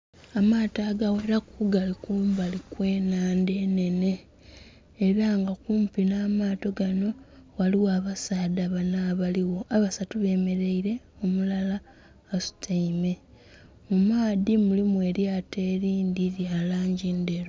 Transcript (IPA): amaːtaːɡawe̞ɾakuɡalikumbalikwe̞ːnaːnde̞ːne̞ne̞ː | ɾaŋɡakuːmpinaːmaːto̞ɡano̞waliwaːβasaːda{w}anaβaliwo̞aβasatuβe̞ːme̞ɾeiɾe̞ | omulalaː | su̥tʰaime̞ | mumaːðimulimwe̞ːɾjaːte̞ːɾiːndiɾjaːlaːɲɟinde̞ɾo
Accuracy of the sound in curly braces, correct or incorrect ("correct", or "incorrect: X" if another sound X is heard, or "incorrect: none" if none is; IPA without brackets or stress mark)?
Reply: incorrect: β